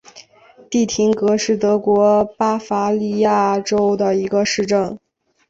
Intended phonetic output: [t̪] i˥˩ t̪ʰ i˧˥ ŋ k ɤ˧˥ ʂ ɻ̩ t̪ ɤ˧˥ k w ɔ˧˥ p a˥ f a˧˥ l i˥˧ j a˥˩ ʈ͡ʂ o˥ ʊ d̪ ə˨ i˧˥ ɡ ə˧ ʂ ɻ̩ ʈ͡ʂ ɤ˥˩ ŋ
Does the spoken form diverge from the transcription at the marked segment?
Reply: no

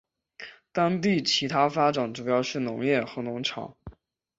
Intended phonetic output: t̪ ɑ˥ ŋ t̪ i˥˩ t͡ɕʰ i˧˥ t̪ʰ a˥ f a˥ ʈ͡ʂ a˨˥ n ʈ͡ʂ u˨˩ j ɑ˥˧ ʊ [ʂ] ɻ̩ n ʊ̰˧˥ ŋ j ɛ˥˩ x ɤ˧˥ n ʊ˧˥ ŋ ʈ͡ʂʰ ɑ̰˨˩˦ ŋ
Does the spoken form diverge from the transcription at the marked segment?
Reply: no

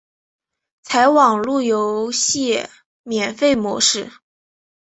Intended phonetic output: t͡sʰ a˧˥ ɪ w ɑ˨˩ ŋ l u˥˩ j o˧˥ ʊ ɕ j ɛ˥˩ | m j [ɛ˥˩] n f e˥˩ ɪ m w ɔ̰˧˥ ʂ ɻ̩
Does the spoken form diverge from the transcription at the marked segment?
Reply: yes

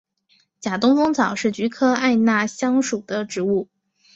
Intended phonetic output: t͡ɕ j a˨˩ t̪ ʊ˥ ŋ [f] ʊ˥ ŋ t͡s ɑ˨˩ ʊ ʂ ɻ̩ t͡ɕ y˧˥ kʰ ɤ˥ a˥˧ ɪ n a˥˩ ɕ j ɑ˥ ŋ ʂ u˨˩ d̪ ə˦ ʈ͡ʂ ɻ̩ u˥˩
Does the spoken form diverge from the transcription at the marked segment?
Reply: no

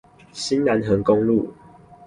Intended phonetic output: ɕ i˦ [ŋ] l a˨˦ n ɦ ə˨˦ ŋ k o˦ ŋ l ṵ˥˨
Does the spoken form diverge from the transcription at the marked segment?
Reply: yes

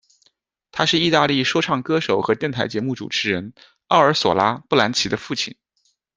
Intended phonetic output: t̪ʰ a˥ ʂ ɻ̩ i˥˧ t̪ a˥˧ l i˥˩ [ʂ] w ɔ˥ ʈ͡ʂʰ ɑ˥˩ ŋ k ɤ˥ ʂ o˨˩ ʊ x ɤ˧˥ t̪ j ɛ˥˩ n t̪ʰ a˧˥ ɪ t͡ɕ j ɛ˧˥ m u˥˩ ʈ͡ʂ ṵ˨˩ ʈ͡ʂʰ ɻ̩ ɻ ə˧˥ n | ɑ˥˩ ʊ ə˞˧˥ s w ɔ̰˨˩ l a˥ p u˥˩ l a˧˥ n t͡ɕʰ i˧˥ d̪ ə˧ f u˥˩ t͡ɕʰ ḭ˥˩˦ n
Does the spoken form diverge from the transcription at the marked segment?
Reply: no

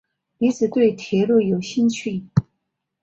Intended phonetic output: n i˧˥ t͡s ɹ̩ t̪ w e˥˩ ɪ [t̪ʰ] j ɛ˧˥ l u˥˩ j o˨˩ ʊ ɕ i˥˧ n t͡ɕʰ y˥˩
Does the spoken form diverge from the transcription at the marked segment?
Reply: no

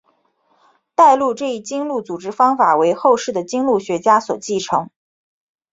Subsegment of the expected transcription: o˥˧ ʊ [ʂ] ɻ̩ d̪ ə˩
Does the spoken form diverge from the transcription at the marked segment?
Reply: no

